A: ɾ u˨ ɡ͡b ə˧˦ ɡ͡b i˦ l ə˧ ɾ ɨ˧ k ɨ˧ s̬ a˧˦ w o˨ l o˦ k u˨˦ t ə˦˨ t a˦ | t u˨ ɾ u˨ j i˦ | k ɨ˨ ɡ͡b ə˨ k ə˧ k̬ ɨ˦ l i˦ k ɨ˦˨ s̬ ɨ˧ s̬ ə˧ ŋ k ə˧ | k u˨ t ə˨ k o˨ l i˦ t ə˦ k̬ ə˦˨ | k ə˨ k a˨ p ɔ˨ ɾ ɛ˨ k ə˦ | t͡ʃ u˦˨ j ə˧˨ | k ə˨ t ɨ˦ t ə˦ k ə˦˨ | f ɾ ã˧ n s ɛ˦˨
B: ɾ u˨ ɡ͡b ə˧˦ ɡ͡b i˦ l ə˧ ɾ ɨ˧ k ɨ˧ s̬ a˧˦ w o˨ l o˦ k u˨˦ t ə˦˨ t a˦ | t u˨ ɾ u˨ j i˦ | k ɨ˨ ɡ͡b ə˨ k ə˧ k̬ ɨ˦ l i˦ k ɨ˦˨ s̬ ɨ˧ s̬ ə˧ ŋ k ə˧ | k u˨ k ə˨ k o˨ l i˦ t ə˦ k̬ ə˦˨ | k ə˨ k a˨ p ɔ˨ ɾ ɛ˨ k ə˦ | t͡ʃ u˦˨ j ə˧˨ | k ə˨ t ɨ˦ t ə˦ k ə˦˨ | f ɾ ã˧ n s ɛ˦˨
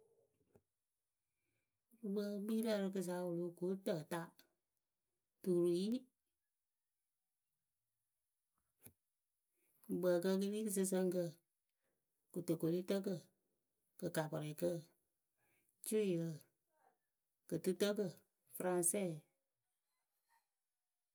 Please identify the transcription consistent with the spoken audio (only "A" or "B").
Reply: A